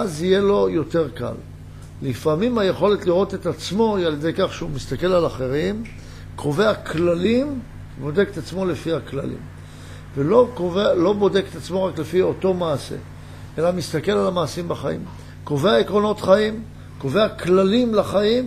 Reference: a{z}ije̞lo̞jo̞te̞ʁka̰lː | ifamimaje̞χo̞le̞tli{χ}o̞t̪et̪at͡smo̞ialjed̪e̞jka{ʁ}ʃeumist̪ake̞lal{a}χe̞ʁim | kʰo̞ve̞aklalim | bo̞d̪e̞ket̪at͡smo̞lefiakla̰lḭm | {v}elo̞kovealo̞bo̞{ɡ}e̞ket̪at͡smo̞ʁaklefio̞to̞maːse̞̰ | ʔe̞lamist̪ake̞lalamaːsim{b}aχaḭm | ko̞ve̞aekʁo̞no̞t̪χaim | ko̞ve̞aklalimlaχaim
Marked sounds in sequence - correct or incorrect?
correct, incorrect: ʁ, incorrect: χ, correct, correct, incorrect: d, correct

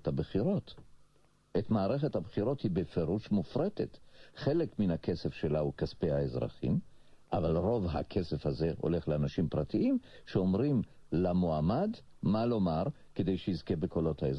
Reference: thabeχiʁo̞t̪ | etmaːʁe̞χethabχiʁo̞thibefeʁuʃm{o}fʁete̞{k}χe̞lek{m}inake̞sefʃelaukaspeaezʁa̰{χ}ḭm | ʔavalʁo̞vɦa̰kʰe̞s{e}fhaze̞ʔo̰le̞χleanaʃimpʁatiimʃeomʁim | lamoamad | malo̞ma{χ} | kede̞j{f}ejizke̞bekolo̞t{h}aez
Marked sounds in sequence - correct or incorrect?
incorrect: u, incorrect: t, correct, correct, correct, incorrect: ʁ, incorrect: ʃ, correct

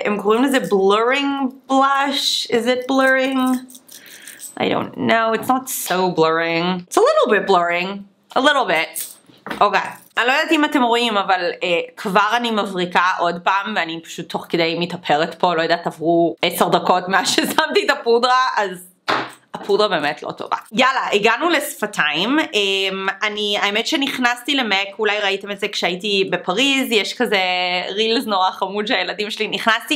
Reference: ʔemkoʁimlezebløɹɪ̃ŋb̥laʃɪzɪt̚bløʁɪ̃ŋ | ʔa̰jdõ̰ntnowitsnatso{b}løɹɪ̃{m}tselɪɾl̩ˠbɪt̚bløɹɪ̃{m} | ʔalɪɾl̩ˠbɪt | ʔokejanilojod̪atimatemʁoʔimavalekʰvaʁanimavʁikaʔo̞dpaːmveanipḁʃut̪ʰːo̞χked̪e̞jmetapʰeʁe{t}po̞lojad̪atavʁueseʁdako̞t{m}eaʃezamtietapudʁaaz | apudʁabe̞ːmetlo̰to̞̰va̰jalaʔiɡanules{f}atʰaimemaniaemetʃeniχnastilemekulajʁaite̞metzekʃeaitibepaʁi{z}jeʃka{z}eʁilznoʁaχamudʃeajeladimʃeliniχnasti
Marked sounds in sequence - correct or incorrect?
correct, incorrect: ŋ, incorrect: ŋ, correct, correct, correct, correct, correct

